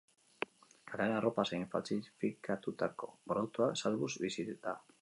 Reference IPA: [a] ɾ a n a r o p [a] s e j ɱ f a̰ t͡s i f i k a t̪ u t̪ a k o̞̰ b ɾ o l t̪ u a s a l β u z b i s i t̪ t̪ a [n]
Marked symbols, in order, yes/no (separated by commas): yes, yes, no